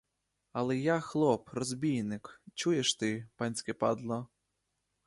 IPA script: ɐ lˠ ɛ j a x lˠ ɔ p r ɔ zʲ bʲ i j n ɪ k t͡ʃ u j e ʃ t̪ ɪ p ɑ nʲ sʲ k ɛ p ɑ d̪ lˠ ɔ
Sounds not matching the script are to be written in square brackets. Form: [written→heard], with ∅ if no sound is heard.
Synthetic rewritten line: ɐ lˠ ɛ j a x lˠ ɔ p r ɔ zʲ bʲ i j n ɪ k t͡ʃ u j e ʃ t̪ ɪ p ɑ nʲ sʲ k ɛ p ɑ d̪ lˠ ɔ